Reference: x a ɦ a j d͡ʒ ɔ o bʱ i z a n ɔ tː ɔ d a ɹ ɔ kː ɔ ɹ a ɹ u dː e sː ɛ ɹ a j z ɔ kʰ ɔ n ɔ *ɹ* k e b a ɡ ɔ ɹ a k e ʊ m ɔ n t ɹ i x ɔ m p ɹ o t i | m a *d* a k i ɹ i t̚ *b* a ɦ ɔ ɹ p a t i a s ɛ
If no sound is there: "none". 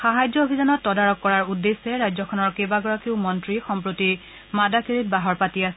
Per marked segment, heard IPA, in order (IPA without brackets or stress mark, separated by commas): ɹ, d, b